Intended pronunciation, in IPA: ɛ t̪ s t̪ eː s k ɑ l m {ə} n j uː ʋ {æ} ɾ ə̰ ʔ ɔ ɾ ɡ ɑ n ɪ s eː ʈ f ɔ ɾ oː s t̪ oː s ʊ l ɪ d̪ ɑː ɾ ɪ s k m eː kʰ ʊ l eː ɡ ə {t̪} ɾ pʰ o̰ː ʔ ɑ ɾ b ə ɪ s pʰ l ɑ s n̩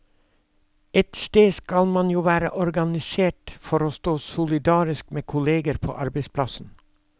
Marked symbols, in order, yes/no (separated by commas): no, no, no